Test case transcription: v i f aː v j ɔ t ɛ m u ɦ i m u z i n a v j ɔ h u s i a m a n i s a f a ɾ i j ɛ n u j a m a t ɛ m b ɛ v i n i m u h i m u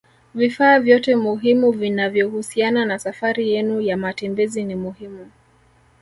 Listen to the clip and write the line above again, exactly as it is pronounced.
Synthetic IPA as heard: v i f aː v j ɔ t ɛ m u ɦ i m u v i n a v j ɔ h u s i a n a n a s a f a ɾ i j ɛ n u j a m a t ɛ m b ɛ z i n i m u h i m u